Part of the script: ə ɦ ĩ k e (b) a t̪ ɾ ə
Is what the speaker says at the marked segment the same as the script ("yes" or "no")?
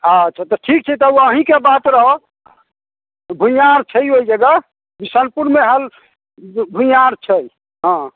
yes